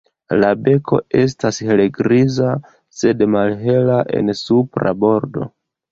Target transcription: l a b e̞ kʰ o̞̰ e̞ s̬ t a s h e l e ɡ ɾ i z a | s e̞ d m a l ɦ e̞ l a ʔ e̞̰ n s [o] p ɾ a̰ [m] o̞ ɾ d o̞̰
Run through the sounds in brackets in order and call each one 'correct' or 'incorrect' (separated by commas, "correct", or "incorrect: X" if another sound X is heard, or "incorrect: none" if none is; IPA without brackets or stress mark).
incorrect: u, incorrect: b